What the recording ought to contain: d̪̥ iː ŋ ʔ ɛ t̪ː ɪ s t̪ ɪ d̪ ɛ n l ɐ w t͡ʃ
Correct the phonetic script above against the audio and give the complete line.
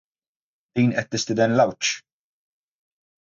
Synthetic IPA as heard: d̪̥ iː n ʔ ɛ t̪ː ɪ s t̪ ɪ d̪ ɛ n l ɐ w t͡ʃ